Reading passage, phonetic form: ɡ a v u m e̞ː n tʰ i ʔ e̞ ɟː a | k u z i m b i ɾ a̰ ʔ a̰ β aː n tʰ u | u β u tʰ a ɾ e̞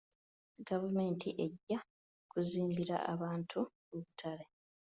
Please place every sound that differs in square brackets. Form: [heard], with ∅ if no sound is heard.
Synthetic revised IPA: ɡ a v u m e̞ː n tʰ i ʔ e̞ ɟː a | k u z [iː] m b i ɾ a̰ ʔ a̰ β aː n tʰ u | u β u tʰ a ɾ e̞